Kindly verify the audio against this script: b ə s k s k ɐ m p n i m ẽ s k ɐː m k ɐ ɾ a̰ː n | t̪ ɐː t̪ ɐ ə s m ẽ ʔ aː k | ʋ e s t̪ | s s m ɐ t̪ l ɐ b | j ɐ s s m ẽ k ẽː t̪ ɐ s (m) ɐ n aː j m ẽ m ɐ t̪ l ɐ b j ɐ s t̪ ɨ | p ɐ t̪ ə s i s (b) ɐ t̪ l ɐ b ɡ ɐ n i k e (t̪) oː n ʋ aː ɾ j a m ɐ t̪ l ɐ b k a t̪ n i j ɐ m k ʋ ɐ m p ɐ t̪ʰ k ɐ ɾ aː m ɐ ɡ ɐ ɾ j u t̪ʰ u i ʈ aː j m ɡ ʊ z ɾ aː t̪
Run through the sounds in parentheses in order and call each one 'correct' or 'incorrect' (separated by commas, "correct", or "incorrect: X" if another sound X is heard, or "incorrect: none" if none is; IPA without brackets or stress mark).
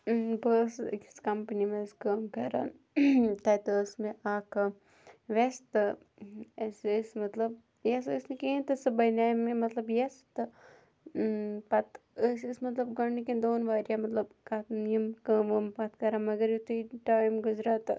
incorrect: b, incorrect: m, incorrect: d̪